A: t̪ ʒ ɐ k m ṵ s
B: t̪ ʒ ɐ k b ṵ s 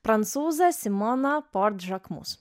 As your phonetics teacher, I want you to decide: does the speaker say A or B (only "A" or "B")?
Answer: A